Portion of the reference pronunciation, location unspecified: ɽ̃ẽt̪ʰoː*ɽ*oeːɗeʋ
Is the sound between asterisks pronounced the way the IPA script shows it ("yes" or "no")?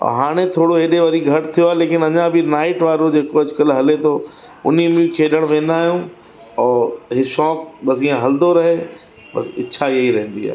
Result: yes